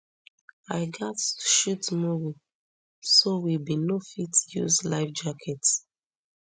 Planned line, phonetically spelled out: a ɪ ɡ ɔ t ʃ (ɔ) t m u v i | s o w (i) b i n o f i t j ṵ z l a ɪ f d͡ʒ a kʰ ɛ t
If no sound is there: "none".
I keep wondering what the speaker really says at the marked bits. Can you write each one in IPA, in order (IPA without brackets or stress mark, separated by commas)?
u, i